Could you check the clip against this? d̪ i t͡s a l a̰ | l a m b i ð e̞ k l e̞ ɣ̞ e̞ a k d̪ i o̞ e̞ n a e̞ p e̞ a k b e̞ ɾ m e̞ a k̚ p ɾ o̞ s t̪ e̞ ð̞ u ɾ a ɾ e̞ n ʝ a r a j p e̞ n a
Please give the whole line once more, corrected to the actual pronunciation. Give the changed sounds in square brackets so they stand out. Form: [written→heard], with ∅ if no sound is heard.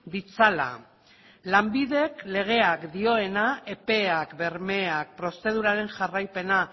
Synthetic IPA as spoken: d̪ i t͡s a l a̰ | l a m b i ð e̞ k l e̞ ɣ̞ e̞ a k d̪ i o̞ e̞ n a e̞ p e̞ a k b e̞ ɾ m e̞ a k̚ p ɾ o̞ s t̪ e̞ ð̞ u ɾ a ɾ e̞ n ʝ a r a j p e̞ n a